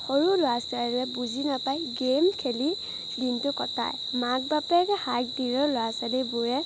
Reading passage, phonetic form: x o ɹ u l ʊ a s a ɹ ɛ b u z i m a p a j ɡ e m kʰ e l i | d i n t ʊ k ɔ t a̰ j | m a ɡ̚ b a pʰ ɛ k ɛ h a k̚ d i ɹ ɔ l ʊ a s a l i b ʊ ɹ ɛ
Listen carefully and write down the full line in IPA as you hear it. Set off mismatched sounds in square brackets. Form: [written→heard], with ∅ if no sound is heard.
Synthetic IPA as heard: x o ɹ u l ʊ a s a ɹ ɛ b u z i [m→n] a p a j ɡ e m kʰ e l i | d i n t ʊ k ɔ t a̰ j | m a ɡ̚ b a [pʰ→p] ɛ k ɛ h a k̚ d i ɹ ɔ l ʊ a s a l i b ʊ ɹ ɛ